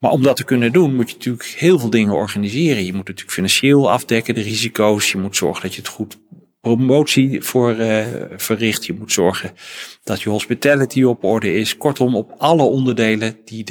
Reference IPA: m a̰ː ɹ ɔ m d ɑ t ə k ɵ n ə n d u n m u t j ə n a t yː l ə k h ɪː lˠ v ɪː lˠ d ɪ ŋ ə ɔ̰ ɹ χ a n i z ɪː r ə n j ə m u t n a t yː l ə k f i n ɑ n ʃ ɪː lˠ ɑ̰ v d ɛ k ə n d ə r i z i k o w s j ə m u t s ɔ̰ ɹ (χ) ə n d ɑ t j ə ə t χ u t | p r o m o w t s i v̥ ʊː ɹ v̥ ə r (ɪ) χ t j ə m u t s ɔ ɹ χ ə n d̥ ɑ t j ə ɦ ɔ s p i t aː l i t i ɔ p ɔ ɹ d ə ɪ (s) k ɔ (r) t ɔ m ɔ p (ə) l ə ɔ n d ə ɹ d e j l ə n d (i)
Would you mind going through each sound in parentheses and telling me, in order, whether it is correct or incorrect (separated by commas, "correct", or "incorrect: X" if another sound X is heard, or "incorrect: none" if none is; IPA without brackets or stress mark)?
correct, correct, correct, incorrect: ɹ, incorrect: ɑ, correct